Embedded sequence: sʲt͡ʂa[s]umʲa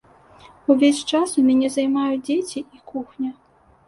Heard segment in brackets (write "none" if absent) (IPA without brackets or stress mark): s